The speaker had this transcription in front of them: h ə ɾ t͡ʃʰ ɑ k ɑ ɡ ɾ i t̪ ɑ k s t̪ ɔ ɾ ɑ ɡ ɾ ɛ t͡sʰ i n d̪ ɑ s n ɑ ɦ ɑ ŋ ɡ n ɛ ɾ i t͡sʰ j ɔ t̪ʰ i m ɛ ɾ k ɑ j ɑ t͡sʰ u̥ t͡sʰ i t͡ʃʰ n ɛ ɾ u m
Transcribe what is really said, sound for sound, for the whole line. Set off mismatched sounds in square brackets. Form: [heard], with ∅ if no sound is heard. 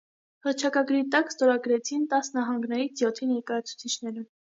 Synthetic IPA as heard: h ə ɾ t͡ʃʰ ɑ k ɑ ɡ ɾ i t̪ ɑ k s t̪ ɔ ɾ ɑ ɡ ɾ ɛ t͡sʰ i n [t̪] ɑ s n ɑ ɦ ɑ ŋ ɡ n ɛ ɾ i t͡sʰ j ɔ t̪ʰ i [n] ɛ ɾ k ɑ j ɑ t͡sʰ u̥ t͡sʰ i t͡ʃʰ n ɛ ɾ u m